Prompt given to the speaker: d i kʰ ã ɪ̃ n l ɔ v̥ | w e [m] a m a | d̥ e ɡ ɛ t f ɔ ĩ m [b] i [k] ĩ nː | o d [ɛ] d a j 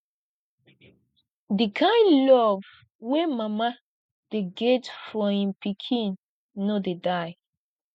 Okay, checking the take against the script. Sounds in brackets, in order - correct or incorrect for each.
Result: correct, incorrect, incorrect, incorrect

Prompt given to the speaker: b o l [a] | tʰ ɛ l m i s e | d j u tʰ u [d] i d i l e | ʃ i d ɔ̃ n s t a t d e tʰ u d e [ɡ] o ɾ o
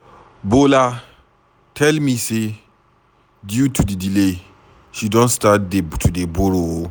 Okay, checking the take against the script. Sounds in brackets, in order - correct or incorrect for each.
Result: correct, correct, incorrect

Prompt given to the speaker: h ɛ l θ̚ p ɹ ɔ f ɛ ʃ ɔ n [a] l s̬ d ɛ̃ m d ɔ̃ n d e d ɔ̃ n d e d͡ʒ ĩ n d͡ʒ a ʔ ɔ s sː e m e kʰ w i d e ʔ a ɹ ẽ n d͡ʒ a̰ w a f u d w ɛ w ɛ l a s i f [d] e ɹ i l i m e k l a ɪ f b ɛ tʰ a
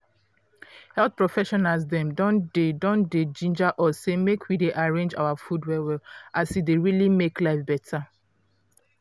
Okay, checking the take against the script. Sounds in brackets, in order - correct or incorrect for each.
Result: correct, correct

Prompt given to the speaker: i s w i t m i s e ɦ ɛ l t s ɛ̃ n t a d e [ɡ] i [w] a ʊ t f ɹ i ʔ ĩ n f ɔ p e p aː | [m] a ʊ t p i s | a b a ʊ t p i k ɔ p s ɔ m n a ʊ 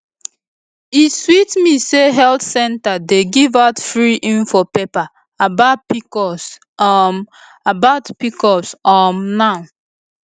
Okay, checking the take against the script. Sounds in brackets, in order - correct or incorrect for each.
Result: correct, incorrect, incorrect

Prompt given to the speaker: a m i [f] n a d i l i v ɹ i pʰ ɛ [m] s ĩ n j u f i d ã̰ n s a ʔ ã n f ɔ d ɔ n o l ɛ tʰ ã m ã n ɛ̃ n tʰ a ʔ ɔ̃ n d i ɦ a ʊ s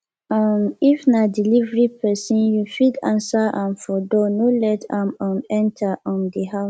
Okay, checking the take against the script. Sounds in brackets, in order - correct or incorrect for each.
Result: correct, incorrect

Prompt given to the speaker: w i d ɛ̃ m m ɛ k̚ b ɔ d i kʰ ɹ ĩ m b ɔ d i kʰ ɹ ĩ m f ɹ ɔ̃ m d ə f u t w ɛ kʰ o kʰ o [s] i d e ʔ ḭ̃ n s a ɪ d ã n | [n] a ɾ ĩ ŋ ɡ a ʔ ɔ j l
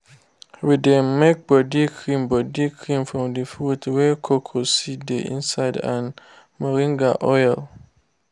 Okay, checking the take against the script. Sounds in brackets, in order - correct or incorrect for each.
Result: correct, incorrect

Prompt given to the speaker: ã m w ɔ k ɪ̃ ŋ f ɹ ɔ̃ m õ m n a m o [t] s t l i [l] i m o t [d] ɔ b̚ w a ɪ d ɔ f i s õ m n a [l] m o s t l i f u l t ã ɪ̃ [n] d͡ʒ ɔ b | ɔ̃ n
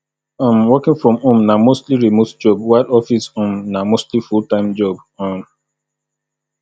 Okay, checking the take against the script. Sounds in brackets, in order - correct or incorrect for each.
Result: incorrect, incorrect, incorrect, incorrect, incorrect

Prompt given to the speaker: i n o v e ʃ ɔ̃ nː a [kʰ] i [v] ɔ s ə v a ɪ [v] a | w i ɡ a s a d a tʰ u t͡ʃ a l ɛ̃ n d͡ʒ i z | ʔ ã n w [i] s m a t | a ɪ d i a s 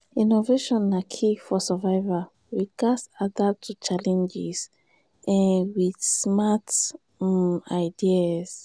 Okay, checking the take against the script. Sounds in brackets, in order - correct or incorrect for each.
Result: correct, incorrect, correct, correct

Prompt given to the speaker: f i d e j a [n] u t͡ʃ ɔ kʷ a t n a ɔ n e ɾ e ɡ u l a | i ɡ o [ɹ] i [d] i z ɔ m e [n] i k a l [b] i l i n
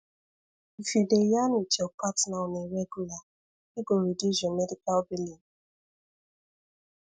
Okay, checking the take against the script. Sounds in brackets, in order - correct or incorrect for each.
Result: correct, incorrect, correct, incorrect, correct

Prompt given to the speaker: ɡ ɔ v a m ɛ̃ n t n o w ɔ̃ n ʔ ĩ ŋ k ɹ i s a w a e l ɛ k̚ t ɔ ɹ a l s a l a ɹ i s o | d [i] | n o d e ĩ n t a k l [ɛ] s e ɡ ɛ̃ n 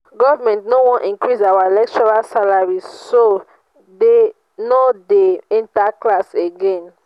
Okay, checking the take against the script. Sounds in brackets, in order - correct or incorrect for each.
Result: incorrect, incorrect

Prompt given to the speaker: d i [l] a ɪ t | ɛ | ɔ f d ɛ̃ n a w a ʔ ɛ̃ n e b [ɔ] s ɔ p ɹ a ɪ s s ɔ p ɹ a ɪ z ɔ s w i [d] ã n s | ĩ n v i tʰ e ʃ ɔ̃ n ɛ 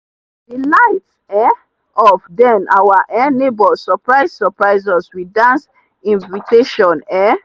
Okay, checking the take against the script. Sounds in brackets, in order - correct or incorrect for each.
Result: correct, correct, correct

